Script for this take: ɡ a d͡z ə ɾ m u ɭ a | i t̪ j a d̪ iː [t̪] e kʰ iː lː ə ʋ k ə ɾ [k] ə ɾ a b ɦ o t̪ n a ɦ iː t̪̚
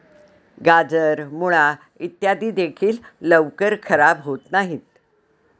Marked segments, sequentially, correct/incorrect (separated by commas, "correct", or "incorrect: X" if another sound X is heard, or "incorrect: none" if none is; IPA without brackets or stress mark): incorrect: d̪, incorrect: kʰ